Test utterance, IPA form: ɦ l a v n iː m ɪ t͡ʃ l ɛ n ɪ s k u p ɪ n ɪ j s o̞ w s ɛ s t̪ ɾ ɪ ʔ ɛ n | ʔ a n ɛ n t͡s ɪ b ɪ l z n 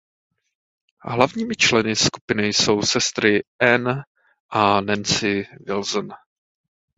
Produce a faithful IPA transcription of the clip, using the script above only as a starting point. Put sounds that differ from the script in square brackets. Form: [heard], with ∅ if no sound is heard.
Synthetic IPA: ɦ l a v [ɲ] iː m ɪ t͡ʃ l ɛ n ɪ s k u p ɪ n ɪ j s o̞ w s ɛ s t̪ ɾ ɪ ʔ ɛ n | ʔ a n ɛ n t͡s ɪ [v] ɪ l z n